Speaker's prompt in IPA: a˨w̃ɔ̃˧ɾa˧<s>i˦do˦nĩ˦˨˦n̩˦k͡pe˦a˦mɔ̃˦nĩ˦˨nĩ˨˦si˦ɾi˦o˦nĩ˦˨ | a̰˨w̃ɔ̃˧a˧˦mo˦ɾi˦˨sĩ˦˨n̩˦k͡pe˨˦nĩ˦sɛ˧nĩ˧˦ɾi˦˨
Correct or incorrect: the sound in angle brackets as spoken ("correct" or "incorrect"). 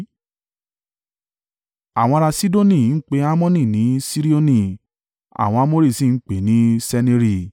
correct